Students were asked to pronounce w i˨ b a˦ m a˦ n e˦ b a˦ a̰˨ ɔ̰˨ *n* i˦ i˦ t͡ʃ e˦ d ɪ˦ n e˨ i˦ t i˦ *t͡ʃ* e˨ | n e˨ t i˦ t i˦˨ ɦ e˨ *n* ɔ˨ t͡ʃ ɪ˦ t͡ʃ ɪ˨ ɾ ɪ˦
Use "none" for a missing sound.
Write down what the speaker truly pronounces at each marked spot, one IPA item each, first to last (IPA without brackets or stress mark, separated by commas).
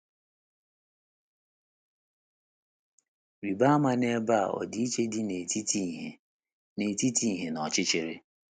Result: d, none, n